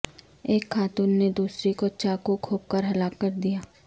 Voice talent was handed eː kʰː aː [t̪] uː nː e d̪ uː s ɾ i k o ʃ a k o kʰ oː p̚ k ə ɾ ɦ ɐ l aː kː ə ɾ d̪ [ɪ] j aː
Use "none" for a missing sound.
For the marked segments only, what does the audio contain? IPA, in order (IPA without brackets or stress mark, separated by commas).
t̪, i